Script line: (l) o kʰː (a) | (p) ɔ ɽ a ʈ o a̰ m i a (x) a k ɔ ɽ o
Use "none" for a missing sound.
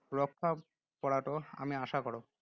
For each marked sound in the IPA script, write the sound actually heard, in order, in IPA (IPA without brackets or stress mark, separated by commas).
ɾ, a, p, ʃ